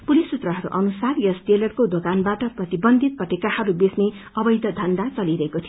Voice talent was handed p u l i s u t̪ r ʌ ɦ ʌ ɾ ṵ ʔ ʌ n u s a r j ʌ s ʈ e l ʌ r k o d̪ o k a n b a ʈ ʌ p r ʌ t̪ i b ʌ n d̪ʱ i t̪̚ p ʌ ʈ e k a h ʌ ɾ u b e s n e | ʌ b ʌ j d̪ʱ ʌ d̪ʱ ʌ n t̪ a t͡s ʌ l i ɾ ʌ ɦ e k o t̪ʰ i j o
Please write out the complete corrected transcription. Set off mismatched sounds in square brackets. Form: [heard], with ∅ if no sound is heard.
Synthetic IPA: p u l i s u t̪ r ʌ ɦ ʌ ɾ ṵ ʔ ʌ n u s a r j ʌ s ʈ e l ʌ r k o d̪ o k a n b a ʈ ʌ p r ʌ t̪ i b ʌ n d̪ʱ i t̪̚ p ʌ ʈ e k a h ʌ ɾ u b e s n e | ʌ b ʌ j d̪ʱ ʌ d̪ʱ ʌ n [d̪] a t͡s ʌ l i ɾ ʌ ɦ e k o t̪ʰ i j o

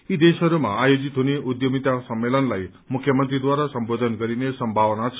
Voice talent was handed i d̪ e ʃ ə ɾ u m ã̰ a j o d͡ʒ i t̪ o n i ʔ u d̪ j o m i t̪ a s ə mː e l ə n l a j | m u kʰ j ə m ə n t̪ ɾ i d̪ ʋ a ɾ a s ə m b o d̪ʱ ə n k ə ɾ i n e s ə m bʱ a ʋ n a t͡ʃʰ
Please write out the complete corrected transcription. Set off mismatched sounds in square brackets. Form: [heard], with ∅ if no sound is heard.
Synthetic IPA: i d̪ e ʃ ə ɾ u m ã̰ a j o d͡ʒ i t̪ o n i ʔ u d̪ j o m i t̪ a s ə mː e l ə n l a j | m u kʰ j ə m ə n t̪ ɾ i d̪ ʋ a ɾ a s ə m b o d̪ʱ ə n k ə ɾ i n e s ə m bʱ a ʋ n a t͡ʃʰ

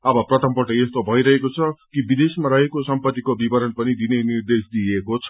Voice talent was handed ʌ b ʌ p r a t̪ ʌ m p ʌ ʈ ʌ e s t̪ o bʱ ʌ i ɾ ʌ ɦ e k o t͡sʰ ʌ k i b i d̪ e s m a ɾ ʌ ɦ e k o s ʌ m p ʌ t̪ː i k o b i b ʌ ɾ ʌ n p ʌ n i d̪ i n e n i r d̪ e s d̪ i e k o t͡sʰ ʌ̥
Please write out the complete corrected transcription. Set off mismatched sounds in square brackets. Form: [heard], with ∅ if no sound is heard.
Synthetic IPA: ʌ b ʌ p r [ʌ] t̪ ʌ m p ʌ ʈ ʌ e s t̪ o bʱ ʌ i ɾ ʌ ɦ e k o t͡sʰ ʌ k i b i d̪ e s m a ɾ ʌ ɦ e k o s ʌ m p ʌ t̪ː i k o b i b ʌ ɾ ʌ n p ʌ n i d̪ i n e n i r d̪ e s d̪ i e k o t͡sʰ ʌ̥

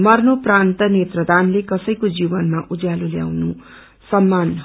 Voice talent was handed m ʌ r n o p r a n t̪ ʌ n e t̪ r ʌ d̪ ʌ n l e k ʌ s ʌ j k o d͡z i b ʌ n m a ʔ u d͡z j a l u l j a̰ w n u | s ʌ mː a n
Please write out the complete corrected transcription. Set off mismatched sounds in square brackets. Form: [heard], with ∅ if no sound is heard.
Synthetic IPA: m ʌ r n o p r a n t̪ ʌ n e t̪ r ʌ d̪ [a] n l e k ʌ s ʌ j k o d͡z i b ʌ n m a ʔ u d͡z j a l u l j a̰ w n u | s ʌ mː a n

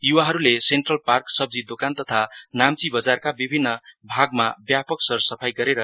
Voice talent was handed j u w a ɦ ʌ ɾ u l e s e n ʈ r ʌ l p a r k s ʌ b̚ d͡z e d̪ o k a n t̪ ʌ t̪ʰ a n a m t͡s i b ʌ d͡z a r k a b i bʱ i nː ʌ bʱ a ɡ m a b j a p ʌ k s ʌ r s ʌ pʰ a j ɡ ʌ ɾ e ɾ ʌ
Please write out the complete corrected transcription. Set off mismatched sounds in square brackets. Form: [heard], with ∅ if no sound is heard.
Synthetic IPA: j u w a ɦ ʌ ɾ u l e s e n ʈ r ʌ l p a r k s ʌ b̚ d͡z [i] d̪ o k a n t̪ ʌ t̪ʰ a n a m t͡s i b ʌ d͡z a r k a b i bʱ i nː ʌ bʱ a ɡ m a b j a p ʌ k s ʌ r s ʌ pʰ a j ɡ ʌ ɾ e ɾ ʌ

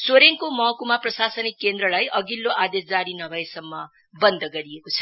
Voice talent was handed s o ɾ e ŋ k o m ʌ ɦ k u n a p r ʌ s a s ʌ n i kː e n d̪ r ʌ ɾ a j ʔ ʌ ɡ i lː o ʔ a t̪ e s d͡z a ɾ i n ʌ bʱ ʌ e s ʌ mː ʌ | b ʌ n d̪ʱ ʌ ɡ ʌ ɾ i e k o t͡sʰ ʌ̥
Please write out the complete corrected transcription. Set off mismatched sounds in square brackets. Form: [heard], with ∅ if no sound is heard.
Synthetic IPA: s o ɾ e ŋ k o m ʌ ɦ k u [m] a p r ʌ s a s ʌ n i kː e n d̪ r ʌ [l] a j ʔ ʌ ɡ i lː o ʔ a [d̪] e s d͡z a ɾ i n ʌ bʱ ʌ e s ʌ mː ʌ | b ʌ n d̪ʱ ʌ ɡ ʌ ɾ i e k o t͡sʰ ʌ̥

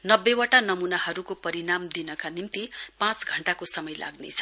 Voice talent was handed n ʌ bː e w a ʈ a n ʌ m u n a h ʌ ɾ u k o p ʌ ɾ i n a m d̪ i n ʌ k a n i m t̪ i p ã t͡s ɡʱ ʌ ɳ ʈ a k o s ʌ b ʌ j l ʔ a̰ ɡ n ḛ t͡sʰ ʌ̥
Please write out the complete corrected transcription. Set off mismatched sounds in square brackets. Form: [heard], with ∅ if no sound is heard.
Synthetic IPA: n ʌ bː e w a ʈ a n ʌ m u n a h ʌ ɾ u k o p ʌ ɾ i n a m d̪ i n ʌ k a n i m t̪ i p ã t͡s ɡʱ ʌ ɳ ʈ a k o s ʌ [m] ʌ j l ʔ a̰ ɡ n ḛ t͡sʰ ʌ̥

